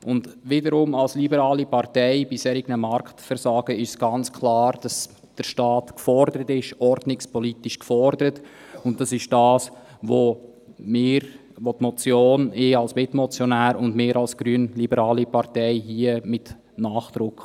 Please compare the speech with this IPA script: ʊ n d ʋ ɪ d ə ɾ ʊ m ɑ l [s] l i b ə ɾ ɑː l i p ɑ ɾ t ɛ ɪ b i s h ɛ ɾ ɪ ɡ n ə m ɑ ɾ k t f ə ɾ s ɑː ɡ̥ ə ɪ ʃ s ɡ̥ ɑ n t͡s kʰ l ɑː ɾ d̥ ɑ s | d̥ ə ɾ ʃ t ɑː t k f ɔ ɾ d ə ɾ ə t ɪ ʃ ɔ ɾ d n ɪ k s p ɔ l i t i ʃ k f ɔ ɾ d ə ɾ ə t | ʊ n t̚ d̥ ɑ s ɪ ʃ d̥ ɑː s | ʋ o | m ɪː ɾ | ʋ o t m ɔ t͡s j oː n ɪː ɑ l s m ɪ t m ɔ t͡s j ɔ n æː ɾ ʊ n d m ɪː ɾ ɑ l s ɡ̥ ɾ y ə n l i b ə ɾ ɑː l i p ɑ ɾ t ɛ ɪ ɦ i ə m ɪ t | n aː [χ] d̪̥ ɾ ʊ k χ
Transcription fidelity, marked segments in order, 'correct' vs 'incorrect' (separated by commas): correct, correct